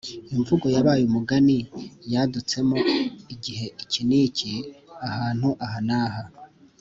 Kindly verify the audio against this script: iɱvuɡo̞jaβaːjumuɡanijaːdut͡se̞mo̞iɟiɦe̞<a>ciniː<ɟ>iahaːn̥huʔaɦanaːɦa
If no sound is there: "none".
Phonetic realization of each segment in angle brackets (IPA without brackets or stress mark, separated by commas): i, c